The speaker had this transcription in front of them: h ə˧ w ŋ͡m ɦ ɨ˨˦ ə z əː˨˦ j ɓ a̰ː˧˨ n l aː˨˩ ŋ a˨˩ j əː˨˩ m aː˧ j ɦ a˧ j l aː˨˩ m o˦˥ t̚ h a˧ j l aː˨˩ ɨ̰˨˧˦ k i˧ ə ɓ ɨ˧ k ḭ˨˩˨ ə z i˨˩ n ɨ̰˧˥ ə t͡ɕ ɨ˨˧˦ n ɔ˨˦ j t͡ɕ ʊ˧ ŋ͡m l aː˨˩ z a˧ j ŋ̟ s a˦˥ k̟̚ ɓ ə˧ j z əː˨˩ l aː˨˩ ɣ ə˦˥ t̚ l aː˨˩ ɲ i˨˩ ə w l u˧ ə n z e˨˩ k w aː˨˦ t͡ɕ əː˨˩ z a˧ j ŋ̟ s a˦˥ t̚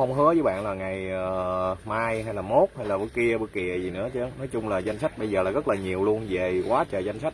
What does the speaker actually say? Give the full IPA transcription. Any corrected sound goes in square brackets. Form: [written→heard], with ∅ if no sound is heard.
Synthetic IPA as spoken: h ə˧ w ŋ͡m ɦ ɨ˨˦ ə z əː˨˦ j ɓ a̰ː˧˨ n l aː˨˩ ŋ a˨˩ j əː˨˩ m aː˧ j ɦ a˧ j l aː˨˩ m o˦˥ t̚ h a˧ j l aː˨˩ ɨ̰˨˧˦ k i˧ ə ɓ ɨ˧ k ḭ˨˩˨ ə z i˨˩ n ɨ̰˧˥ ə t͡ɕ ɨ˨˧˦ n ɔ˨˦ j t͡ɕ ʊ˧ ŋ͡m l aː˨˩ z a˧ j ŋ̟ s a˦˥ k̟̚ ɓ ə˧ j z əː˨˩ l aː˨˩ ɣ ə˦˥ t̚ l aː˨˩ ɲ i˨˩ ə w l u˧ ə n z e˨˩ k w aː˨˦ t͡ɕ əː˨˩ z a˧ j ŋ̟ s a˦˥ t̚

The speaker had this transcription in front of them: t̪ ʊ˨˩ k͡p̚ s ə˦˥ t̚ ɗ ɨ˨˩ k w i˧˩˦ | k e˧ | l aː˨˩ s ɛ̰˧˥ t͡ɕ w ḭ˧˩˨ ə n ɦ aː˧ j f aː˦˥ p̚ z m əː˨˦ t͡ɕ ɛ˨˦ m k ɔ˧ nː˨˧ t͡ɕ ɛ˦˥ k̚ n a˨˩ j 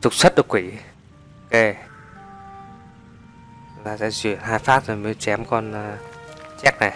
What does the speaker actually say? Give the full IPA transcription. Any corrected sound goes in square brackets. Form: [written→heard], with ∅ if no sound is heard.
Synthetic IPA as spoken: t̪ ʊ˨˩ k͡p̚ s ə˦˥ t̚ ɗ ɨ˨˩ k w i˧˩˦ | k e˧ | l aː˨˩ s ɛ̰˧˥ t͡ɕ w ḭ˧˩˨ ə n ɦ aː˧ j f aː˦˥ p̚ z m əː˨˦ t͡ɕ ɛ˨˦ m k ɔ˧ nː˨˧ t͡ɕ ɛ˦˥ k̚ n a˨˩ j

